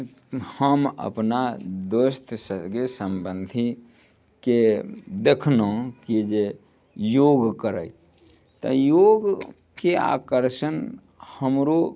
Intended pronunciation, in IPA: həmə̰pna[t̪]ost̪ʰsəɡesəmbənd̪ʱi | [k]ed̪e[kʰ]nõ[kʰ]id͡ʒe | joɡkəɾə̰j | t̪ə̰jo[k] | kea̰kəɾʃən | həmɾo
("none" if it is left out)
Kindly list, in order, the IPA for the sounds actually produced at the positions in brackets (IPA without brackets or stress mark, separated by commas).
d̪, k, kʰ, k, ɡ